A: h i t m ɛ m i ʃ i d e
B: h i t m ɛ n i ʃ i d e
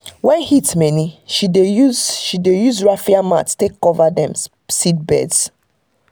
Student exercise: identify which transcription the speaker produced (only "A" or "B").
B